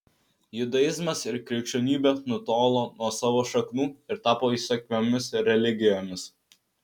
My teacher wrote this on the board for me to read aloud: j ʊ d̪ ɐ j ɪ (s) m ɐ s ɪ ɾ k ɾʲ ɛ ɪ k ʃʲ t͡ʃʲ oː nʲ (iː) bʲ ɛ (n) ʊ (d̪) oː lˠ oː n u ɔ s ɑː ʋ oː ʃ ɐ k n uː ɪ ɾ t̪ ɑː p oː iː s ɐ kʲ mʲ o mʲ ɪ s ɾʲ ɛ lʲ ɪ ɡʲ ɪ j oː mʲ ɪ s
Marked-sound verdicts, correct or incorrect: incorrect: z, correct, correct, incorrect: t̪

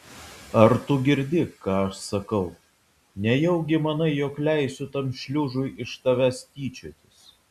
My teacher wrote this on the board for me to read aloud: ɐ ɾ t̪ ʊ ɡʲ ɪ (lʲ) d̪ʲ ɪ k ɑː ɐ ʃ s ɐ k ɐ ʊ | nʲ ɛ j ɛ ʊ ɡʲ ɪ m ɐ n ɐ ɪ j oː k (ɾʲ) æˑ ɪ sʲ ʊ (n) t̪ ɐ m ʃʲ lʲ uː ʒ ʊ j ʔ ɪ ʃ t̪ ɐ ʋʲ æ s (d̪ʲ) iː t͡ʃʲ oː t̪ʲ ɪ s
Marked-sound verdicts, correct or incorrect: incorrect: ɾʲ, incorrect: lʲ, incorrect: none, incorrect: t̪ʲ

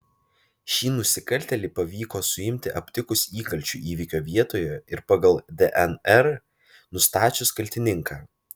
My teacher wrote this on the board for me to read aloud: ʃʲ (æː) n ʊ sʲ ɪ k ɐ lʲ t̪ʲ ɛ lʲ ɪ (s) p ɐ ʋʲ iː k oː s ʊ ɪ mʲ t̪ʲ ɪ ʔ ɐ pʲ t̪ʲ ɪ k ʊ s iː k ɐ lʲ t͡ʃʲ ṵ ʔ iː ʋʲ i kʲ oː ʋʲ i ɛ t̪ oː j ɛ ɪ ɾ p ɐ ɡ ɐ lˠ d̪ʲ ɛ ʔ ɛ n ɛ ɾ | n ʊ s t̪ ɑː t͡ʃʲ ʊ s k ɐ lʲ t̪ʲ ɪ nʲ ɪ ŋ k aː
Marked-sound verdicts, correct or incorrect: incorrect: iː, incorrect: none

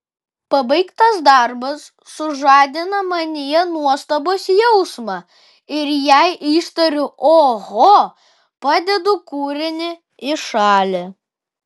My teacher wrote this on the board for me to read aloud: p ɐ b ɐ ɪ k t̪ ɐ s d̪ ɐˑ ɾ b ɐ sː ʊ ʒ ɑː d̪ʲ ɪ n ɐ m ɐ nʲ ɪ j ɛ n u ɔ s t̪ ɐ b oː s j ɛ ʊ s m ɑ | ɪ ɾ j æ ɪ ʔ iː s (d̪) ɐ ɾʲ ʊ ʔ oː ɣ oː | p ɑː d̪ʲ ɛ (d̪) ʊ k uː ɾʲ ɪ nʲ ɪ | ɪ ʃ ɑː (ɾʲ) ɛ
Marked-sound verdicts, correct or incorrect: incorrect: t̪, correct, incorrect: lʲ

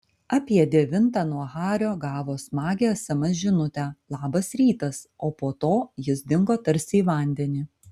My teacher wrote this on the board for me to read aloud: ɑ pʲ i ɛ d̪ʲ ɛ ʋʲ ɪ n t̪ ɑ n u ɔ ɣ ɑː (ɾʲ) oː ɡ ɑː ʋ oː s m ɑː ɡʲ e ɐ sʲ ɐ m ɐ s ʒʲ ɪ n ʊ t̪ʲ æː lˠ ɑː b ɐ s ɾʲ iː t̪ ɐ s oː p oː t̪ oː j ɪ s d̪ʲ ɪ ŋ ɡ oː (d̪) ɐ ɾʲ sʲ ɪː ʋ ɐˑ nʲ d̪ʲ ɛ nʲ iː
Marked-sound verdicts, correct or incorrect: correct, incorrect: t̪

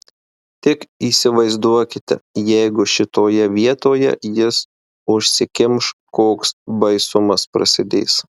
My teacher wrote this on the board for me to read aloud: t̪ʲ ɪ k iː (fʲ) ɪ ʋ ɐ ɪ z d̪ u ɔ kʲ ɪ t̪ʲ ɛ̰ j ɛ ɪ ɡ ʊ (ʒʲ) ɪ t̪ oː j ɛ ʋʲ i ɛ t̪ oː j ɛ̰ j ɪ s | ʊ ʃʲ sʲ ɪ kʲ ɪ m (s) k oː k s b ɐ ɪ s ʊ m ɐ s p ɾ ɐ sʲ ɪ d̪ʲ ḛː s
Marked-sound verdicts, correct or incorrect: incorrect: sʲ, incorrect: ʃʲ, incorrect: ʃ

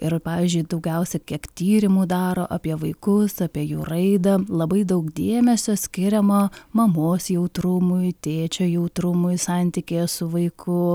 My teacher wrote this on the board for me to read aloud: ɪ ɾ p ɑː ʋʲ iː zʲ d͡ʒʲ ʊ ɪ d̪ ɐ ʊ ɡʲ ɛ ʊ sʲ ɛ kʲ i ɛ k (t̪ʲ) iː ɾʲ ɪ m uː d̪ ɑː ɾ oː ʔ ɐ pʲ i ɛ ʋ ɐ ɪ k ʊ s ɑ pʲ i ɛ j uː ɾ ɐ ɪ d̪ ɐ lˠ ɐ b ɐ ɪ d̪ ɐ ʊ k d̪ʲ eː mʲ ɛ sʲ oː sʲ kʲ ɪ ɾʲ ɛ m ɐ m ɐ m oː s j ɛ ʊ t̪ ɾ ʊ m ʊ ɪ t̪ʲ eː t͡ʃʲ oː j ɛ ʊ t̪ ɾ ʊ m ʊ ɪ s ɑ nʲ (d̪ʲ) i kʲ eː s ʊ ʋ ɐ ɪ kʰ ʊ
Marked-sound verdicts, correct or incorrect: correct, incorrect: t̪ʲ

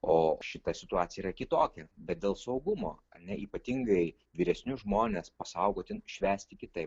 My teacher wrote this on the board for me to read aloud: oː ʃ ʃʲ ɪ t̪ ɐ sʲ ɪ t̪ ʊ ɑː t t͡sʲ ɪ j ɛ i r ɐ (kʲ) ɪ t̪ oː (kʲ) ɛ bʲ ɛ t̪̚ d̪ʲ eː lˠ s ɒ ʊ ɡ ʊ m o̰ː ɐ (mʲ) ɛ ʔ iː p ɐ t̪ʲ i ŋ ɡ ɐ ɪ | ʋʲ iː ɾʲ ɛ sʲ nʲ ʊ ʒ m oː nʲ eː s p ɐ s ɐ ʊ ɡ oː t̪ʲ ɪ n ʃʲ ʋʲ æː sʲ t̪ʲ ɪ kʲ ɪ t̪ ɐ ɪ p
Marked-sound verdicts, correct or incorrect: correct, correct, incorrect: nʲ

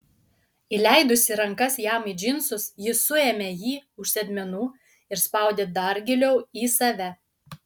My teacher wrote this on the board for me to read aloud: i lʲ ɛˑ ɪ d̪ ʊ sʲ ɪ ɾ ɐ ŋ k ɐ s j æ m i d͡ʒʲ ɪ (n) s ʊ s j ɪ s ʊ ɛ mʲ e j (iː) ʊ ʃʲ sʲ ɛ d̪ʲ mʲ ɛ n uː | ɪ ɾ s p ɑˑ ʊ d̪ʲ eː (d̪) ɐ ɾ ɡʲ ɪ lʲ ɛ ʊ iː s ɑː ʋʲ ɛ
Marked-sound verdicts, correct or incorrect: correct, correct, correct

